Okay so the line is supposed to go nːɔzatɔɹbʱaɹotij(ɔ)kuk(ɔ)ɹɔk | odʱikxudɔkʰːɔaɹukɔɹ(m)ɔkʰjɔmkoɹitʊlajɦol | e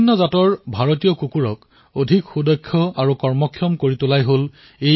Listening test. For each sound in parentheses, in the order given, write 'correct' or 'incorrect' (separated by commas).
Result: correct, incorrect, correct